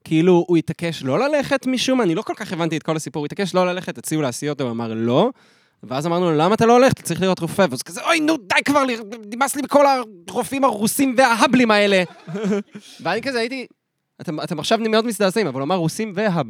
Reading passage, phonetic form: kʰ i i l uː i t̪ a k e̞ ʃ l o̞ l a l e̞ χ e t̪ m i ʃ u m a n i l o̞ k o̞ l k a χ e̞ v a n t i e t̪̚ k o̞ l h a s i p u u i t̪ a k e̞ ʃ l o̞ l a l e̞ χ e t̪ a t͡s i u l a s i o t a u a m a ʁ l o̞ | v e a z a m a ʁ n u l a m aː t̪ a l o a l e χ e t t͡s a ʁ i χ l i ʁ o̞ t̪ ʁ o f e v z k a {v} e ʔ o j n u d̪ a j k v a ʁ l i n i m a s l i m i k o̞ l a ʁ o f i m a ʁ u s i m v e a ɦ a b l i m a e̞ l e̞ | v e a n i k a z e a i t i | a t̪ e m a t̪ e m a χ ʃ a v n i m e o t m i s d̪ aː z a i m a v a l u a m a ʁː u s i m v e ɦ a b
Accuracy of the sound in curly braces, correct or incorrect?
incorrect